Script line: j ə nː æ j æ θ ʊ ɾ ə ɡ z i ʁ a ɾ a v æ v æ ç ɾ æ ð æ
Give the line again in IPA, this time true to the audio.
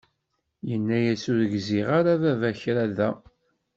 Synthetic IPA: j ə nː æ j æ s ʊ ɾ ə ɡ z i ʁ a ɾ a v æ v æ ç ɾ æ ð æ